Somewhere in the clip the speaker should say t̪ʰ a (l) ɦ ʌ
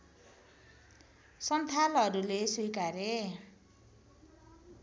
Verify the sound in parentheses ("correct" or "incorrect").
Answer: correct